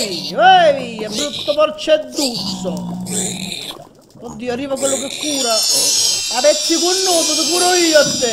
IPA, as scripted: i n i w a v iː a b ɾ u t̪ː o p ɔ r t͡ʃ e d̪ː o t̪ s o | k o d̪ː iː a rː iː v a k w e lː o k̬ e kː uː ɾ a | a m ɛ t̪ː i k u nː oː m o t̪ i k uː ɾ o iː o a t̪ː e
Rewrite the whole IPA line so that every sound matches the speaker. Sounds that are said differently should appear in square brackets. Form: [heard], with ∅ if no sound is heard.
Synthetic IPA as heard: i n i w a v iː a b ɾ u t̪ː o p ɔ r t͡ʃ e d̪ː [u] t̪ s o | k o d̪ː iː a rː iː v a k w e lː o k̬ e kː uː ɾ a | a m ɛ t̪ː i k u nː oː m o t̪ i k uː ɾ o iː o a t̪ː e